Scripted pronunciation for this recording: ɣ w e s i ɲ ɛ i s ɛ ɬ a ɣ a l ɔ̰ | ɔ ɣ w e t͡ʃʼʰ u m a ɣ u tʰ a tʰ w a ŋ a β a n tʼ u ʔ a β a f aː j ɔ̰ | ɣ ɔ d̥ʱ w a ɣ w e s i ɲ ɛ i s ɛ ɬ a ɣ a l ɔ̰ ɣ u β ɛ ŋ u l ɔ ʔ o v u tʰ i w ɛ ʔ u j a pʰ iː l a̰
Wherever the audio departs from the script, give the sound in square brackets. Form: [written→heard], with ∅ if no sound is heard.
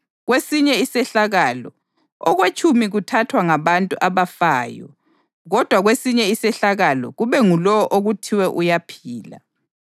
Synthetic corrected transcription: ɣ w e s i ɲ ɛ i s ɛ ɬ a ɣ a l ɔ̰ | ɔ ɣ w e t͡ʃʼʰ u m [a→i] ɣ u tʰ a tʰ w a ŋ a β a n tʼ u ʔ a β a f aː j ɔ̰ | ɣ ɔ d̥ʱ w a ɣ w e s i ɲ ɛ i s ɛ ɬ a ɣ a l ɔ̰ ɣ u β ɛ ŋ u l ɔ ʔ o [v→ɣ] u tʰ i w ɛ ʔ u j a pʰ iː l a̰